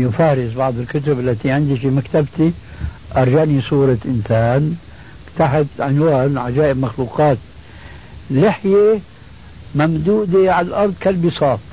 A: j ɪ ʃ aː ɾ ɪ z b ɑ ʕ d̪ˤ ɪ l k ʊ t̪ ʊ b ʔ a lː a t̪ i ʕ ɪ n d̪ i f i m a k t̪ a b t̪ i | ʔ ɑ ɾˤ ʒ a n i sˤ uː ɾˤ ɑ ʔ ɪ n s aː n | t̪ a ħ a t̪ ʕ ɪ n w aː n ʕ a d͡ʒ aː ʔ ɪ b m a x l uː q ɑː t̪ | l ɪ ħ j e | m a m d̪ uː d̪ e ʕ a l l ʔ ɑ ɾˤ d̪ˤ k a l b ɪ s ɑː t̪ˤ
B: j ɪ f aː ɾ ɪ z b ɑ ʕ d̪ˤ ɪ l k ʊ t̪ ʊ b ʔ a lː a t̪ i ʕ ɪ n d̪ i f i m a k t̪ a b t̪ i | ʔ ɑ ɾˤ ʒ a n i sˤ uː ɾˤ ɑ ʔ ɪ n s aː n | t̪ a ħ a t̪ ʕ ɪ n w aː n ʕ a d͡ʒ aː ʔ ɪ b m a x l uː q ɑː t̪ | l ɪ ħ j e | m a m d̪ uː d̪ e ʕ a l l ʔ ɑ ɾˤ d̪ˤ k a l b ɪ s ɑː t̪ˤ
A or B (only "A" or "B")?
B